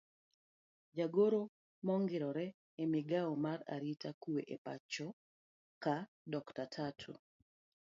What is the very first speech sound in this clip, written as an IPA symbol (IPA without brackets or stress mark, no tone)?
d͡ʒ